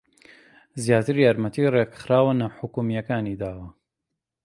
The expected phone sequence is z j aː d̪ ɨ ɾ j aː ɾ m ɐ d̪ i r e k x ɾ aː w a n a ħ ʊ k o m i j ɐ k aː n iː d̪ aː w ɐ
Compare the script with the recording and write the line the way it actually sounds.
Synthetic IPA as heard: z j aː t̪ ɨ ɾ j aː ɾ m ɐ t̪ i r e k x ɾ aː w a n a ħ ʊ k u m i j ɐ k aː n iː d̪ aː w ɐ